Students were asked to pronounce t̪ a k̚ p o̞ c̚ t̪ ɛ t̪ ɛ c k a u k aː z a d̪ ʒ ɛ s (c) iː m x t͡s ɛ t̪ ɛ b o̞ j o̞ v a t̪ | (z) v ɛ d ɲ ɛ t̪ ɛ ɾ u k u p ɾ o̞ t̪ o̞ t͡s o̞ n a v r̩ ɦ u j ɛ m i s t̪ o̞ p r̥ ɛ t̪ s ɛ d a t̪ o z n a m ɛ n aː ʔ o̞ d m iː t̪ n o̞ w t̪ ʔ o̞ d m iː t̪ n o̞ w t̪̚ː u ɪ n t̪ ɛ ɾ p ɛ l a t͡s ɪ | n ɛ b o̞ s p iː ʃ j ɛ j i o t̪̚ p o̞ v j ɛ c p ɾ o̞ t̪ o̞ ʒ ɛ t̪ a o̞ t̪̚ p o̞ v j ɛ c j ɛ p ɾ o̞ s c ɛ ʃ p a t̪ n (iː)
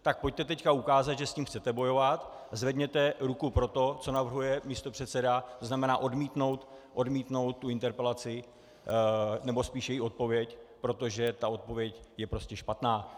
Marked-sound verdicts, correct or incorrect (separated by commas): correct, correct, incorrect